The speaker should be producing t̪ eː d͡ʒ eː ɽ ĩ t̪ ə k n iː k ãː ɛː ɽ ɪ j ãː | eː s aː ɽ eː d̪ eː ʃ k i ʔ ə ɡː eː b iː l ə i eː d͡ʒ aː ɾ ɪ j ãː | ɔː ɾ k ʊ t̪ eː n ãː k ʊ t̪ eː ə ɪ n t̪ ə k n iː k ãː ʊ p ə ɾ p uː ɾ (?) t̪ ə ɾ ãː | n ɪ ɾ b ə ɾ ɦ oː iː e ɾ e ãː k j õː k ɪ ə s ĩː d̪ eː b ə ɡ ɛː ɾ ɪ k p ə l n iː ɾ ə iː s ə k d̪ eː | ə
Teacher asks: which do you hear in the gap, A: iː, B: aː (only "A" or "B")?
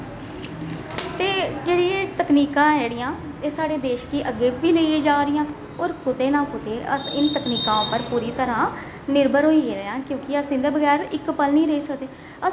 A